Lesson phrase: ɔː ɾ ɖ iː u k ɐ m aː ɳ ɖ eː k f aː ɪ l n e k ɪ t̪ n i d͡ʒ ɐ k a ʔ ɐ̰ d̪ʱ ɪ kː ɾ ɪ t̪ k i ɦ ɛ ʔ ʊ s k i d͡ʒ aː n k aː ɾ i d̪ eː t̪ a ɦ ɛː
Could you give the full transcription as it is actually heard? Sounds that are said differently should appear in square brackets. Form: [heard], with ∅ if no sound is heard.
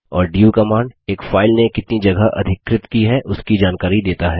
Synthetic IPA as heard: ɔː ɾ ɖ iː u k ɐ m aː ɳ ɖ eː k f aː ɪ l n e k ɪ t̪ n i d͡ʒ ɐ [ɡ] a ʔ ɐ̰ d̪ʱ ɪ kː ɾ ɪ t̪ k i ɦ ɛ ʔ ʊ s k i d͡ʒ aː n k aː ɾ i d̪ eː t̪ a ɦ ɛː